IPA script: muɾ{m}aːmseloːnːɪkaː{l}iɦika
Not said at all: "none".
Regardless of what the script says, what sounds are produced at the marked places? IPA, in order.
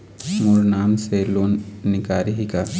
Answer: n, ɾ

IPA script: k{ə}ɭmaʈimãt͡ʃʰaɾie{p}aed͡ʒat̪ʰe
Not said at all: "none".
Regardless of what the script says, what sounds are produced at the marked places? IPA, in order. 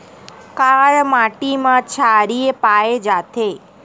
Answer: a, p

